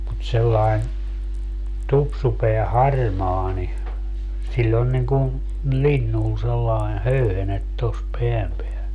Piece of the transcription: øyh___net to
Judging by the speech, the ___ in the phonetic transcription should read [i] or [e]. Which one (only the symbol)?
e